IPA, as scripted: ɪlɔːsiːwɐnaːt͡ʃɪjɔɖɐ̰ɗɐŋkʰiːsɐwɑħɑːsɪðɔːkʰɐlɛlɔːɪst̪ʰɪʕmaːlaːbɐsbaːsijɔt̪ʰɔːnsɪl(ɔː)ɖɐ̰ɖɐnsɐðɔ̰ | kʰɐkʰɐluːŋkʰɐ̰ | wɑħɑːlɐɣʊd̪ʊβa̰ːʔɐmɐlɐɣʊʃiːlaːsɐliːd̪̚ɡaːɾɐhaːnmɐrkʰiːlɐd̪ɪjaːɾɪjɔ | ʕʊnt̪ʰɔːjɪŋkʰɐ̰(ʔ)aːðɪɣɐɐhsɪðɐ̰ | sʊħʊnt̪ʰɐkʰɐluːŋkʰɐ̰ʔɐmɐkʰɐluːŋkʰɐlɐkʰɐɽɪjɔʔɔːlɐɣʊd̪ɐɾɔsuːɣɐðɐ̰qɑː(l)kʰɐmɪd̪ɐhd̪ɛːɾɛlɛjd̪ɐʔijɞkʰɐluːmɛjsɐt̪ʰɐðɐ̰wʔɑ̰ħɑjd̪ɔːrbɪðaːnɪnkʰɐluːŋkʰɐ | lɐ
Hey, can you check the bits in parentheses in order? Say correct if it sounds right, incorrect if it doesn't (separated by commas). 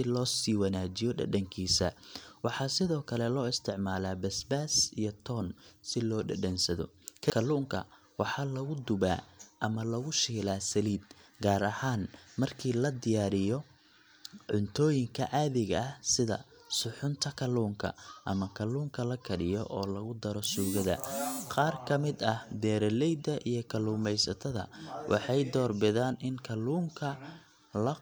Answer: correct, correct, incorrect